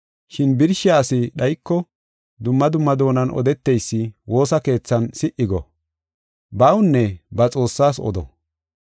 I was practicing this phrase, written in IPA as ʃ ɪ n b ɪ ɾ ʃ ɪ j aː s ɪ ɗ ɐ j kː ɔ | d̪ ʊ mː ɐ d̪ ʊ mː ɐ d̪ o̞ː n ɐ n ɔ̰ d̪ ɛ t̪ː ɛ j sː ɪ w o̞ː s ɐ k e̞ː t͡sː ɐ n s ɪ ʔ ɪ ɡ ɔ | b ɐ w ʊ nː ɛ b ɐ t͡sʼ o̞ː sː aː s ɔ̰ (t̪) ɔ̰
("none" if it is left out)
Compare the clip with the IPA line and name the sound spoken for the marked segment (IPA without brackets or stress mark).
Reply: d̪